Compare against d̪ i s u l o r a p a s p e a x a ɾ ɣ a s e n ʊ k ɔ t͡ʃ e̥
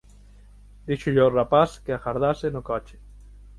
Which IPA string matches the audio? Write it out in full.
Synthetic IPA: d̪ i ʃ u ʎ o r a p a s k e a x a ɾ ð a s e n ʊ k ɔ t͡ʃ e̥